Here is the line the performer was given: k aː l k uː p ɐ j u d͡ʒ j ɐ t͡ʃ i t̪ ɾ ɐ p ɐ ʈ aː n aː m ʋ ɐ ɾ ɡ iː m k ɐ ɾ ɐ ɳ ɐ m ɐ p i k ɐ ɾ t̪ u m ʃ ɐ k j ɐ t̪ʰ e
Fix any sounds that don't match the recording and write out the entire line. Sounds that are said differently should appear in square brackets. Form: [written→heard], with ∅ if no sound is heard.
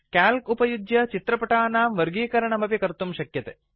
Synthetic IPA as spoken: k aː l k [uː→u] p ɐ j u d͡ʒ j ɐ t͡ʃ i t̪ ɾ ɐ p ɐ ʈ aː n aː m ʋ ɐ ɾ ɡ iː [m→∅] k ɐ ɾ ɐ ɳ ɐ m ɐ p i k ɐ ɾ t̪ u m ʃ ɐ k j ɐ [t̪ʰ→t̪] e

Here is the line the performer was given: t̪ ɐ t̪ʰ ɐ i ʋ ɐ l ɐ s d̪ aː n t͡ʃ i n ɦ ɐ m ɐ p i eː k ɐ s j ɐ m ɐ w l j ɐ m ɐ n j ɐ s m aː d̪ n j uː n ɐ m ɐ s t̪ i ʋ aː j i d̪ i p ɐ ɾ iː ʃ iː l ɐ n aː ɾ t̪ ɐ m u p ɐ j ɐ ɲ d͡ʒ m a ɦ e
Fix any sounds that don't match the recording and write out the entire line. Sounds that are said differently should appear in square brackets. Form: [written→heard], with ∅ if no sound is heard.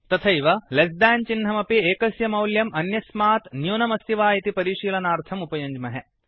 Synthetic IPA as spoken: t̪ ɐ t̪ʰ ɐ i ʋ ɐ l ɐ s d̪ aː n t͡ʃ i n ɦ ɐ m ɐ p i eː k ɐ s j ɐ m ɐ w l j ɐ m ɐ n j ɐ s m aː [d̪→t̪] n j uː n ɐ m ɐ s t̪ i ʋ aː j i [d̪→t̪] i p ɐ ɾ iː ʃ iː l ɐ n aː ɾ [t̪→t̪ʰ] ɐ m u p ɐ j ɐ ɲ d͡ʒ m [a→ɐ] ɦ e

